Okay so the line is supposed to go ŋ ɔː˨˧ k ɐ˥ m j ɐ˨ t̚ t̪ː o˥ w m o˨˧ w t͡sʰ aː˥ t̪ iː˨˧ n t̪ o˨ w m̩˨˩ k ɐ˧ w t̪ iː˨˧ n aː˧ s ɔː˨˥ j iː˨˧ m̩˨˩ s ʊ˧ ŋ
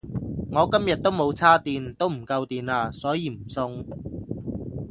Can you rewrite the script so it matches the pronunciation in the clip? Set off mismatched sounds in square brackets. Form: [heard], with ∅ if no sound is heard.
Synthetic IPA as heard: ŋ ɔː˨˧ k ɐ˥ m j ɐ˨ t̚ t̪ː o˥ w m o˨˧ w t͡sʰ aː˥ t̪ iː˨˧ n t̪ [o˥] w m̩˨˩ k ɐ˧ w t̪ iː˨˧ n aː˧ s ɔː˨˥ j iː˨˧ m̩˨˩ s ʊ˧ ŋ